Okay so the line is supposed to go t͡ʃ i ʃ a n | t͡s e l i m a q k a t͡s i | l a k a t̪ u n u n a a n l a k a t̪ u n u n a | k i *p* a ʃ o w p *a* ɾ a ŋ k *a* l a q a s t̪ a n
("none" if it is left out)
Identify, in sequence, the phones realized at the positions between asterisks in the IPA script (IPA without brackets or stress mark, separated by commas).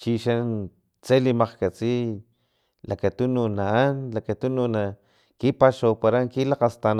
p, a, i